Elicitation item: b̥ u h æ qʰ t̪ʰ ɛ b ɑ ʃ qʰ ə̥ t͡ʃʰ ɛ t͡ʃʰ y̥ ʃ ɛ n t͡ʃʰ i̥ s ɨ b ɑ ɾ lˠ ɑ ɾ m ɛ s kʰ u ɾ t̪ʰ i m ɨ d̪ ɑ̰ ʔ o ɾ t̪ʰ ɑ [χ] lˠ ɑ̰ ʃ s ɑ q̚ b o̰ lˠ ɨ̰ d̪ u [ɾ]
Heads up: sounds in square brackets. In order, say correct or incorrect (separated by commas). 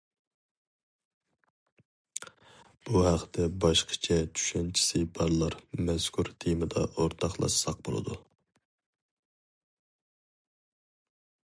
correct, incorrect